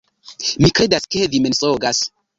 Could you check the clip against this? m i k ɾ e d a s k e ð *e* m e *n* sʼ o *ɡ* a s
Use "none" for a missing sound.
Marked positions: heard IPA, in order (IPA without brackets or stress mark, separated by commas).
i, n, ɡ